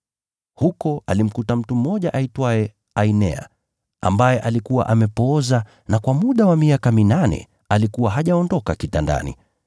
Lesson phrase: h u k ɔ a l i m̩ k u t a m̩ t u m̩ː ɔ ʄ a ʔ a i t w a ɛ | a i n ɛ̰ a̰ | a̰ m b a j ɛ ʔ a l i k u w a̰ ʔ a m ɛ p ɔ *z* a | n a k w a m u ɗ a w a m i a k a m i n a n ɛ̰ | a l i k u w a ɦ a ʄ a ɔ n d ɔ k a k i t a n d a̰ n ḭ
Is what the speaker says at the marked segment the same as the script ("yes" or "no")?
yes